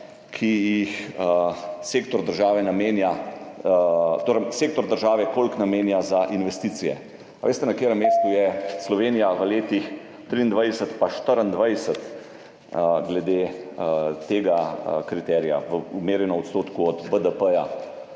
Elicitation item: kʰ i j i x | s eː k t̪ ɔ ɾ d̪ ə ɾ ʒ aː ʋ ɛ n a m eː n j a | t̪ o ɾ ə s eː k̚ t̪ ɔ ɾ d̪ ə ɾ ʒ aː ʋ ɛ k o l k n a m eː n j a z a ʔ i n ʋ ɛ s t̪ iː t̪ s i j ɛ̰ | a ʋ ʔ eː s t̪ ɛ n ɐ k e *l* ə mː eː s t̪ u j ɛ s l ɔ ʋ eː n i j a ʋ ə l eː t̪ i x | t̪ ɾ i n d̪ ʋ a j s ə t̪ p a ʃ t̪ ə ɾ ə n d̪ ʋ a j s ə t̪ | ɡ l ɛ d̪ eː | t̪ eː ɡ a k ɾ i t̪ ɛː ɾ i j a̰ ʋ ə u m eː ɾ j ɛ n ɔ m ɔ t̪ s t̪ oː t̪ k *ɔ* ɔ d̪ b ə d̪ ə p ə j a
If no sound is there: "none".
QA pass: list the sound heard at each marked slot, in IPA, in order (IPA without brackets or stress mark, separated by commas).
ɾ, u